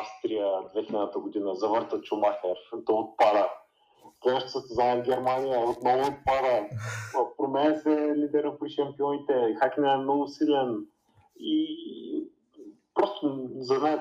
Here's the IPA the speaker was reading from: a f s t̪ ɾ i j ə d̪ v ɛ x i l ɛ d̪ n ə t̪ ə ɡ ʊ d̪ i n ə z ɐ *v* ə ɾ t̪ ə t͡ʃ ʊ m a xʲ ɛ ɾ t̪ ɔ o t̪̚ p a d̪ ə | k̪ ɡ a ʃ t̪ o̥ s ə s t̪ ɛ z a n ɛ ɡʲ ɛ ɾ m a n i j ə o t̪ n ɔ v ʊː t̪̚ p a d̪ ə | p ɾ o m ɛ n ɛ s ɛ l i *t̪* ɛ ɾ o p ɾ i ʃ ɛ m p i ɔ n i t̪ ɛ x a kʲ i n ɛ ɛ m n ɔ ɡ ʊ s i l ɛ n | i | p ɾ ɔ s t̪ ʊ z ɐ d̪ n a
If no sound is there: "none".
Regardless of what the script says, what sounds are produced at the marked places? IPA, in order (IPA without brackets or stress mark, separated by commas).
v, d̪